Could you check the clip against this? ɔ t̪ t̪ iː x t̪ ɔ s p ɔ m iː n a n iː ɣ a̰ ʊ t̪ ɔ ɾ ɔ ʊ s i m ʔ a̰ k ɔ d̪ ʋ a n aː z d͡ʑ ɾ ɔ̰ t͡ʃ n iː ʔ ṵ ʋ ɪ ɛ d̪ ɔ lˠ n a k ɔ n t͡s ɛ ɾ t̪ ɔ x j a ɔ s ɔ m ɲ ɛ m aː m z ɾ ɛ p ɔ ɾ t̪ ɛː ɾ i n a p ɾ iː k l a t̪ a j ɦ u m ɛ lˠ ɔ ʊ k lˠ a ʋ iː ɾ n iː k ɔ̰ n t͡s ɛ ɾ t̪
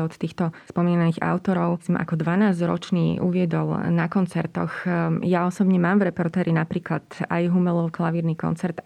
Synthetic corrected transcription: ɔ t̪ t̪ iː x t̪ ɔ s p ɔ m iː n a n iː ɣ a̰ ʊ t̪ ɔ ɾ ɔ ʊ s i m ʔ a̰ k ɔ d̪ ʋ a n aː z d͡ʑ ɾ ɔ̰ t͡ʃ n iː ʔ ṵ ʋ ɪ ɛ d̪ ɔ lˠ n a k ɔ n t͡s ɛ ɾ t̪ ɔ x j a ɔ s ɔ b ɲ ɛ m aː m v ɾ ɛ p ɔ ɾ t̪ ɛː ɾ i n a p ɾ iː k l a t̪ a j ɦ u m ɛ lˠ ɔ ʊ k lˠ a ʋ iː ɾ n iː k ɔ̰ n t͡s ɛ ɾ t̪